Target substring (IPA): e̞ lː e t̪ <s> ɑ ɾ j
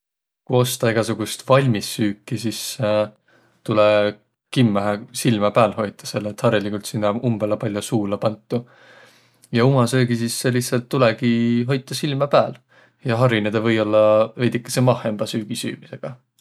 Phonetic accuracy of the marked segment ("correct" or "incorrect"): incorrect